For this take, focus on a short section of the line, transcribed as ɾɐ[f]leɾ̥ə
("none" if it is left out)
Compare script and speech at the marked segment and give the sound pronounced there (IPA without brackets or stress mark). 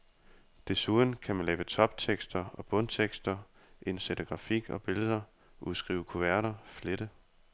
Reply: f